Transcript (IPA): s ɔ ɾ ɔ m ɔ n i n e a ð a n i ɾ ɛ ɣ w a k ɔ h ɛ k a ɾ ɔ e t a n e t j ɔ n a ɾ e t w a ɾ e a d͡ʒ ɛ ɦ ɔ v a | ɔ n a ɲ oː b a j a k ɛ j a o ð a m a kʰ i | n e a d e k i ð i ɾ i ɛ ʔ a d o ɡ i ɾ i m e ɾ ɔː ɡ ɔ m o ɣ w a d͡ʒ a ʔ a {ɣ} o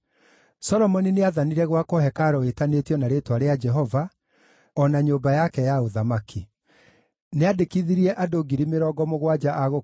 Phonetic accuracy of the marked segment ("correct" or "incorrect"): correct